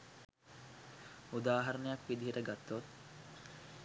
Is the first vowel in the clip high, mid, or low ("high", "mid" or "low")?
high